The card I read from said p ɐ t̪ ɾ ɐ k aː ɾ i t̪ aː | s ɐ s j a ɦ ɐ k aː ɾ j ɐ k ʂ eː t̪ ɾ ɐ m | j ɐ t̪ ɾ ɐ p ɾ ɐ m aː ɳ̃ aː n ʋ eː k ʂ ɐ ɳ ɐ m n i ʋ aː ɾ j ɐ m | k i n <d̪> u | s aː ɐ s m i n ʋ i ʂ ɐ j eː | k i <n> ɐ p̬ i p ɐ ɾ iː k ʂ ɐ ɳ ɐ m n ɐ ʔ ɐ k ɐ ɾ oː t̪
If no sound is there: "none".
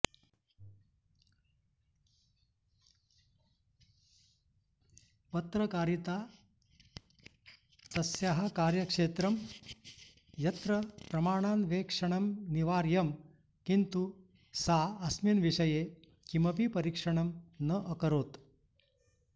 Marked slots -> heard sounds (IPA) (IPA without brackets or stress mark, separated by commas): t̪, m